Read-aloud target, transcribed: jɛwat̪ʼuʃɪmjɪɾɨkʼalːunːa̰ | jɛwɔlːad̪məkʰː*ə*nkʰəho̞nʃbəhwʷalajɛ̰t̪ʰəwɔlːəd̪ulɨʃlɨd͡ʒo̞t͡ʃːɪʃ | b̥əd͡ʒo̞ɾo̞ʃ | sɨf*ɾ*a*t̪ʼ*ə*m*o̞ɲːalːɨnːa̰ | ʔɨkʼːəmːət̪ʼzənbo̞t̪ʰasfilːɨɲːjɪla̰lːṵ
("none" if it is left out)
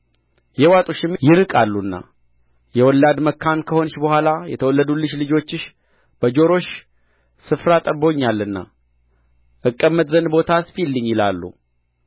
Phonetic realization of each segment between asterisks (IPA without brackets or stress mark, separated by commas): a, ɾ, t̪ʼ, b